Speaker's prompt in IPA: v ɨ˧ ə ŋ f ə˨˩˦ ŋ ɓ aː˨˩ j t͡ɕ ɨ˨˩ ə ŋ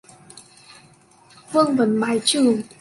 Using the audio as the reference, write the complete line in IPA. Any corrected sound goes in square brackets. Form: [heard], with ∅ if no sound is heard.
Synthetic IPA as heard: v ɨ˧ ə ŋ [v] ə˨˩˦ [n] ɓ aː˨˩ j t͡ɕ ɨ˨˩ ə ŋ